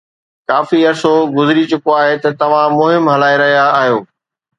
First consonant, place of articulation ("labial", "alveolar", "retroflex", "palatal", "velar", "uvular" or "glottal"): velar